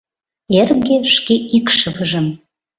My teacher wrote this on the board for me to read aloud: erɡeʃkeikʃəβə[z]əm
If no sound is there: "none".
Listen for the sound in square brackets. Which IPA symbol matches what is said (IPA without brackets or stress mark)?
ʒ